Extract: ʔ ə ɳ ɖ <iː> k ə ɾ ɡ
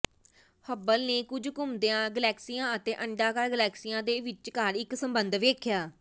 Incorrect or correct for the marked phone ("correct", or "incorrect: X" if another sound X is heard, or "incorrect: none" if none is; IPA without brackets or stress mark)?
incorrect: aː